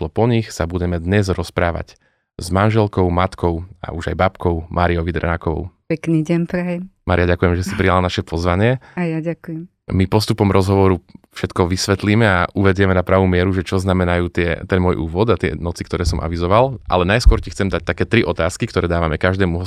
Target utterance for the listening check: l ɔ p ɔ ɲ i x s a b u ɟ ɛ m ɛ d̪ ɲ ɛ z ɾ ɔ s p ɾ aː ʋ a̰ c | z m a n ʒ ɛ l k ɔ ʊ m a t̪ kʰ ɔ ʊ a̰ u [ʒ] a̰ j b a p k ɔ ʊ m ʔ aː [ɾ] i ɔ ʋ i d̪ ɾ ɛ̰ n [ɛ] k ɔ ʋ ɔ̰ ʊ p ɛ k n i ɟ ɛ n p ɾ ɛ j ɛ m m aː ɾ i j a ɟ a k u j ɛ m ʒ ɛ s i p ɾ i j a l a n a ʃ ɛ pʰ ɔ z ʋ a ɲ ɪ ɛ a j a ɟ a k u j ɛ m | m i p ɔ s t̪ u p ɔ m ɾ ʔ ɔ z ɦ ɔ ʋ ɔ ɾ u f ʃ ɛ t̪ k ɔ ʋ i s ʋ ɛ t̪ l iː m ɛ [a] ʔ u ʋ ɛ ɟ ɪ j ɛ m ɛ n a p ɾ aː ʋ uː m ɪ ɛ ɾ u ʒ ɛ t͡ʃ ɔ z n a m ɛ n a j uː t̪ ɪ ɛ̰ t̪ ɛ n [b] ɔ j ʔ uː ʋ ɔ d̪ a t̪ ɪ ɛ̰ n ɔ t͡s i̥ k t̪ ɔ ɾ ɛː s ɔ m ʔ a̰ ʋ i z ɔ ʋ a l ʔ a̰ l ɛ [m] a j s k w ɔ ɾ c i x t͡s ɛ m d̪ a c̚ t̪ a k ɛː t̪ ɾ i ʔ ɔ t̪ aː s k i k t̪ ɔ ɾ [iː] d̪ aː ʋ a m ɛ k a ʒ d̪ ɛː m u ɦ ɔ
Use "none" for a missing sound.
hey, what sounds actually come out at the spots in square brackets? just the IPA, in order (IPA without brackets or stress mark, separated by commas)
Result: ʒ, ɾ, a, a, m, n, ɛː